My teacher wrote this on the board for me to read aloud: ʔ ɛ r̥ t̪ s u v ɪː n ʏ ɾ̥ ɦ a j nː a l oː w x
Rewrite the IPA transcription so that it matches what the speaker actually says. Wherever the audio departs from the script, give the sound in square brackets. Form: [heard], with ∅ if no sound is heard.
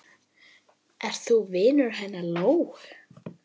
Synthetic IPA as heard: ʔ ɛ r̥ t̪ [θ] u v ɪː n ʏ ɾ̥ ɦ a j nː a l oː w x